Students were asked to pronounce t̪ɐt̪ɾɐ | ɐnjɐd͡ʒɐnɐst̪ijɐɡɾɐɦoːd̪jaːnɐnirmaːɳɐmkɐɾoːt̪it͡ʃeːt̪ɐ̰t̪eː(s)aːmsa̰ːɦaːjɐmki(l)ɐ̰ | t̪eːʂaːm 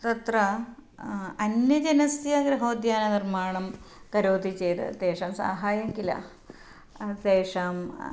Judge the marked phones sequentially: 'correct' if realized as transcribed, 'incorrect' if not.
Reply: incorrect, correct

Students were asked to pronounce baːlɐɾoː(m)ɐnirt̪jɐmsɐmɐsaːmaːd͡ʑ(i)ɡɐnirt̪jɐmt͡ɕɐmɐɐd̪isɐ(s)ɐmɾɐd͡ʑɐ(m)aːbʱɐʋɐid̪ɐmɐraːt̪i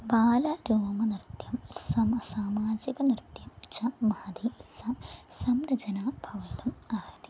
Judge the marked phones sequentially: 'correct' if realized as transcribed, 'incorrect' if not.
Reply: correct, correct, correct, incorrect

